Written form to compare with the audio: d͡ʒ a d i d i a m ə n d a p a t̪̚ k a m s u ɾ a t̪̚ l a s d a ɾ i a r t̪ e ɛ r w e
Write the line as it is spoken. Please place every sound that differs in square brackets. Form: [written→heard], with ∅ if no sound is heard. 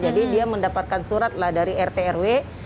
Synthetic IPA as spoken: d͡ʒ a d i d i a m ə n d a p a t̪̚ k a [m→n] s u ɾ a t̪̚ l a [s→h] d a ɾ i [a→ɛ] r t̪ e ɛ r w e